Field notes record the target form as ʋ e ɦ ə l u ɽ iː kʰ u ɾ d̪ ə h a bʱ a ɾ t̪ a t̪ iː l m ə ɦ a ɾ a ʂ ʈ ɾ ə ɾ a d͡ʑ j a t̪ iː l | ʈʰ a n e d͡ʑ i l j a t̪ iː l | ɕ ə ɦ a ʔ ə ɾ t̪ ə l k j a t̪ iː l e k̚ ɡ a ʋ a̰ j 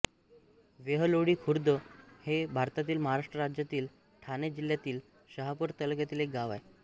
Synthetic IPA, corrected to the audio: ʋ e ɦ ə l o ɽ iː kʰ u ɾ d̪ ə h e bʱ a ɾ t̪ a t̪ iː l m ə ɦ a ɾ a ʂ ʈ ɾ ə ɾ a d͡ʑ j a t̪ iː l | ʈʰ a n e d͡ʑ i l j a t̪ iː l | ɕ ə ɦ a p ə ɾ t̪ ə l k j a t̪ iː l e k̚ ɡ a ʋ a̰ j